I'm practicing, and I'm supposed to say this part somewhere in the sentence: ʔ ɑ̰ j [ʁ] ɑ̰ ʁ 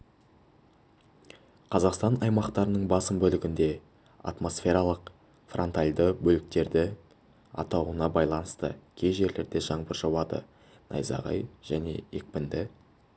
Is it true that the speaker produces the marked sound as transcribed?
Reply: no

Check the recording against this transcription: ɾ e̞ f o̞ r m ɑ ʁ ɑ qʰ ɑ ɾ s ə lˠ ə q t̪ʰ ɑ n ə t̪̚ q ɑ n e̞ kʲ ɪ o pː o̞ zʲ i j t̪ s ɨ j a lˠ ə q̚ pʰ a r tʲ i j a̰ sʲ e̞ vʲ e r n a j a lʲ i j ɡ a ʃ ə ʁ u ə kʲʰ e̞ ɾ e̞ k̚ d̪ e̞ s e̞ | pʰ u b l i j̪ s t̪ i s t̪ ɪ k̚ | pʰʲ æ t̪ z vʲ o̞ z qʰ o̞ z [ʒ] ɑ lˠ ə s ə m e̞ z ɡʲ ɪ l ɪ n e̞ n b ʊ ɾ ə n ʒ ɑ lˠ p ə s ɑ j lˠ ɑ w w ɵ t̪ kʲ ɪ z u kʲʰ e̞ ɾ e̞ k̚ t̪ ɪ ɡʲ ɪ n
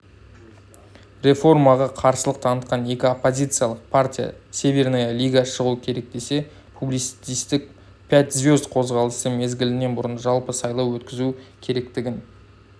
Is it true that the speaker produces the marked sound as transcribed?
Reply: no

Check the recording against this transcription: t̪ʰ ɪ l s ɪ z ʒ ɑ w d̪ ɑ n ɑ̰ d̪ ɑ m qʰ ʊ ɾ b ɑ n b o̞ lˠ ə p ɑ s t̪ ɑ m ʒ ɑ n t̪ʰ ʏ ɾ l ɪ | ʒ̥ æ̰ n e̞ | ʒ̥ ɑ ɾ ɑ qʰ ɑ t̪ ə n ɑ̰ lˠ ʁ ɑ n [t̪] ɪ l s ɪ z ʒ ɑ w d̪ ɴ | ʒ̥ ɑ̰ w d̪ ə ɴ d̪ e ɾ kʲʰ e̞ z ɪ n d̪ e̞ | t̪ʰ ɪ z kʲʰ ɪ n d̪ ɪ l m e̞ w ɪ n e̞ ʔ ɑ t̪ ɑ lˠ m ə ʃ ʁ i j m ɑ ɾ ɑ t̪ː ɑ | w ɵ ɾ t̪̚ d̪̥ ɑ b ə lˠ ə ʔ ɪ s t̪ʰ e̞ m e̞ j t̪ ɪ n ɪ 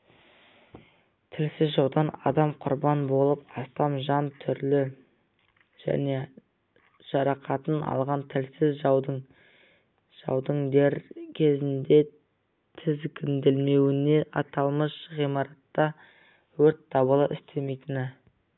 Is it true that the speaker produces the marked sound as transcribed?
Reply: no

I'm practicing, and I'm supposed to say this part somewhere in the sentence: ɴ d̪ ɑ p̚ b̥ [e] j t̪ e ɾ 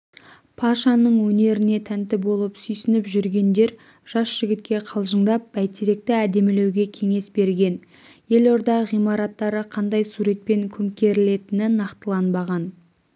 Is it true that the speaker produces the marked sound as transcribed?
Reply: no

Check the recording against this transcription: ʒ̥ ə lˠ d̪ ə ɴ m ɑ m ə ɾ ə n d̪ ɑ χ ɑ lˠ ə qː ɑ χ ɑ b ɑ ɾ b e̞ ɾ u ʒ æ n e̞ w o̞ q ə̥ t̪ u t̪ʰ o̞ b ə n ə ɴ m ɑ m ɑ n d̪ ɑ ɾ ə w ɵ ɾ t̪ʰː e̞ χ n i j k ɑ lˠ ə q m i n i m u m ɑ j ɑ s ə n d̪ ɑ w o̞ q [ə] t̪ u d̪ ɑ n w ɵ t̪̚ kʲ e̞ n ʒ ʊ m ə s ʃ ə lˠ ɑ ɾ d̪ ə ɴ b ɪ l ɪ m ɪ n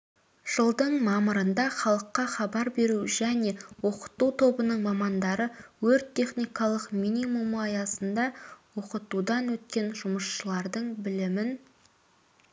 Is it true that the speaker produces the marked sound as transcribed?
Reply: yes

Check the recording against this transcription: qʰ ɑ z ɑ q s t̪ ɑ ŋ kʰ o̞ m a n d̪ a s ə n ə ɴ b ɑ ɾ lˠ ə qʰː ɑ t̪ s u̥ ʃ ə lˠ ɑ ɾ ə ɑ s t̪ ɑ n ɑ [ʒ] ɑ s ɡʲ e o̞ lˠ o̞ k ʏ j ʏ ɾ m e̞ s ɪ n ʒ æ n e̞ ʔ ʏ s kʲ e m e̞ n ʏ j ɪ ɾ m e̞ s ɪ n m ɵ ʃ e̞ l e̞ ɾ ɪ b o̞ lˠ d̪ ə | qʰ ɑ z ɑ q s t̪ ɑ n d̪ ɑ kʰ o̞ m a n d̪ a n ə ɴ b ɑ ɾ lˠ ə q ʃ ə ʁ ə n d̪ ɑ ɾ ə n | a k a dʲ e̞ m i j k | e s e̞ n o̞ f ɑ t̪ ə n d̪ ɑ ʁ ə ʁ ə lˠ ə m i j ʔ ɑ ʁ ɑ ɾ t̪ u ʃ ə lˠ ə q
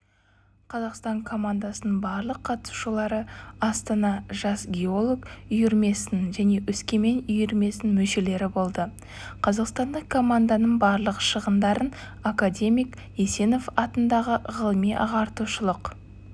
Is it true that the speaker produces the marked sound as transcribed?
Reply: yes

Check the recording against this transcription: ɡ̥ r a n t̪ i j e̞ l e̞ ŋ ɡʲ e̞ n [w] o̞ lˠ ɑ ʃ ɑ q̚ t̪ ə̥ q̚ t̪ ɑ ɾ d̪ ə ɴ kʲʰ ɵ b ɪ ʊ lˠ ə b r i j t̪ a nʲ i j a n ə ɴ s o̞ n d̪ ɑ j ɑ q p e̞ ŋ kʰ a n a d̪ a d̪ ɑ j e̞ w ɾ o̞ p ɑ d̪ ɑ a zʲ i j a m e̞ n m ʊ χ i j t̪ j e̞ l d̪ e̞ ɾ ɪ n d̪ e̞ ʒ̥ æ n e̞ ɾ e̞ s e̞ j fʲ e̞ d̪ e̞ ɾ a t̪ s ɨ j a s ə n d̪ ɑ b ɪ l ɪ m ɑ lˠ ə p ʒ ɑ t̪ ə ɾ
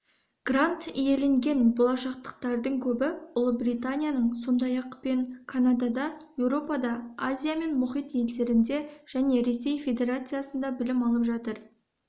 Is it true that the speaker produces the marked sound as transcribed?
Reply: no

